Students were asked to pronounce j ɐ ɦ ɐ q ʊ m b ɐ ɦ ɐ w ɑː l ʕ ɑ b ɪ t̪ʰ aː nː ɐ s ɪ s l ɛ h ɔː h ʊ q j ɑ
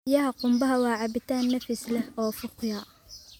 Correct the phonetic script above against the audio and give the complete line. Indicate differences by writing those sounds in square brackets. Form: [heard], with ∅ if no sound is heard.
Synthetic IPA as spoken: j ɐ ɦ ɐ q ʊ m b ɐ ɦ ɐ w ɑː [∅] ʕ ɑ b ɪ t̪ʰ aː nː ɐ [f] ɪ s l ɛ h ɔː [f] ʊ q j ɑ